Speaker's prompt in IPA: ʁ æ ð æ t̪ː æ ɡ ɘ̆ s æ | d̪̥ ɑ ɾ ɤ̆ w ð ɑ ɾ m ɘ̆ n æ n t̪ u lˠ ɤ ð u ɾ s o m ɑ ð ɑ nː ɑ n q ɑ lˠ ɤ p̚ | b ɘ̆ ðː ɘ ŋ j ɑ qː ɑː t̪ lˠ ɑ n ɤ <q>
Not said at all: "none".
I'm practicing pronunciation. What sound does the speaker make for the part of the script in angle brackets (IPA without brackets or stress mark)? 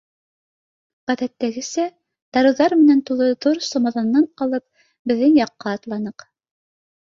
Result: q